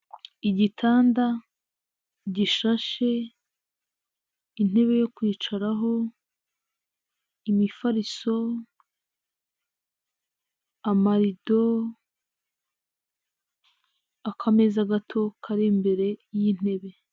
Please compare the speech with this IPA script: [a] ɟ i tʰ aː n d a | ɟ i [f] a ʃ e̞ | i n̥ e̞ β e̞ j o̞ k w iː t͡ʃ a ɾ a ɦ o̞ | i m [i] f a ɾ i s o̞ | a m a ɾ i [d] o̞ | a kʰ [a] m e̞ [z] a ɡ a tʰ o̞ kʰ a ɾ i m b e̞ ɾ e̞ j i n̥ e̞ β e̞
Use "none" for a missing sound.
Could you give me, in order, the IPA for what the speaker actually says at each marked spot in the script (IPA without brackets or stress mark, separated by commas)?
i, ʃ, i, d, a, z